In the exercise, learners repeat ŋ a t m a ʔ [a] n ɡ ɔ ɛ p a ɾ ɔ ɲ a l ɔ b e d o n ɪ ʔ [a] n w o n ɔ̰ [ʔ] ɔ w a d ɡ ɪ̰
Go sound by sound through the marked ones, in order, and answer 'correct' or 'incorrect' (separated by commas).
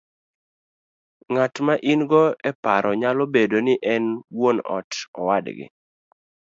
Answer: incorrect, incorrect, incorrect